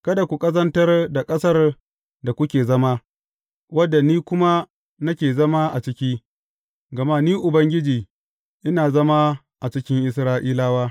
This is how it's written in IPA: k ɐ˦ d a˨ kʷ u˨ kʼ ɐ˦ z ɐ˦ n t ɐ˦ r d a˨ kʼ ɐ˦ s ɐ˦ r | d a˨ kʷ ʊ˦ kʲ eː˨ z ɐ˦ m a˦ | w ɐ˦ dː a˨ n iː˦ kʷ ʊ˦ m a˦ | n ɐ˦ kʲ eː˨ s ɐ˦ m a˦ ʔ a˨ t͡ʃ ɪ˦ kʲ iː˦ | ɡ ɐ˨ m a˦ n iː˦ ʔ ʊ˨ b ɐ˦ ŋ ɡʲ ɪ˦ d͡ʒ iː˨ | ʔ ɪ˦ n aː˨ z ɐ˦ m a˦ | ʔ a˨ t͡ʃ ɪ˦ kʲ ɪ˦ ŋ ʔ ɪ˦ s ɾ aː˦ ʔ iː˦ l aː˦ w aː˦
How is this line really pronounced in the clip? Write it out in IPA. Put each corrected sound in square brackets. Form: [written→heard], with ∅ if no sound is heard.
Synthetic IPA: k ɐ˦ d a˨ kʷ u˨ kʼ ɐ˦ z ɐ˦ n t ɐ˦ r d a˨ kʼ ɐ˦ s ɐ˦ r | d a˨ kʷ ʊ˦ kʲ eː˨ z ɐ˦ m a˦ | w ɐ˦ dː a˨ n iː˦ kʷ ʊ˦ m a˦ | n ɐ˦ kʲ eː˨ [s→z] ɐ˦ m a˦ ʔ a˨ t͡ʃ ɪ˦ kʲ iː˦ | ɡ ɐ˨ m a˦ n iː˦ ʔ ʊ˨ b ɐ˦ ŋ ɡʲ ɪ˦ d͡ʒ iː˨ | ʔ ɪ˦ n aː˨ z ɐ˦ m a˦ | ʔ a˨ t͡ʃ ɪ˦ kʲ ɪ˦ ŋ ʔ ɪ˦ s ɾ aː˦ ʔ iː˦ l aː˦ w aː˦